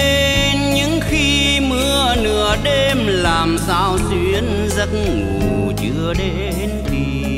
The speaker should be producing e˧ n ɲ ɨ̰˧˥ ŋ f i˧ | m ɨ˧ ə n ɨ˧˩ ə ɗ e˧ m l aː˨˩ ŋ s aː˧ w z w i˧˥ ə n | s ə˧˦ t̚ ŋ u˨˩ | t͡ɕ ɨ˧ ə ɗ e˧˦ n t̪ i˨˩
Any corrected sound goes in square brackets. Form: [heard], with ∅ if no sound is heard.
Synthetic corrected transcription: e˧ n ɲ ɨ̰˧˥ ŋ [x] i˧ | m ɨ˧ ə n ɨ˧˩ ə ɗ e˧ m l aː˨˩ [m] s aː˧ w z w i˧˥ ə n | [z] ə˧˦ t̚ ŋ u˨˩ | t͡ɕ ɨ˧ ə ɗ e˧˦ n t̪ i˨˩